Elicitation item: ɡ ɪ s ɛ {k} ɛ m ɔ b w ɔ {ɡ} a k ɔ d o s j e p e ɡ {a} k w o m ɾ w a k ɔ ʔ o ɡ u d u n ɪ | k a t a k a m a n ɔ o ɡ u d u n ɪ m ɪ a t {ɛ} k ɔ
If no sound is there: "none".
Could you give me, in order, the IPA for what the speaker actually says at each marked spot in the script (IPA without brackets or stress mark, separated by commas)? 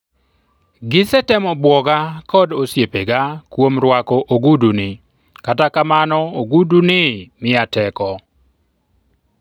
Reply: t, ɡ, a, ɛ